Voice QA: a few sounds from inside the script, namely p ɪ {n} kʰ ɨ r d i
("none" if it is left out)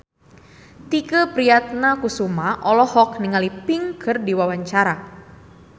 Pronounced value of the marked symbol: ŋ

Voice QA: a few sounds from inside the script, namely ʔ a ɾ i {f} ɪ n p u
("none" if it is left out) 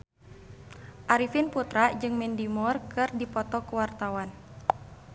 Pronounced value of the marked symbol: f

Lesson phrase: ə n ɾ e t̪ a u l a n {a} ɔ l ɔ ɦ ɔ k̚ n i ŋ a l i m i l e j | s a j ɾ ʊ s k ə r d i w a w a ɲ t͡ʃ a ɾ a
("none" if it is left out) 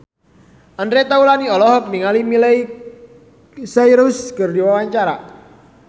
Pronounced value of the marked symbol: i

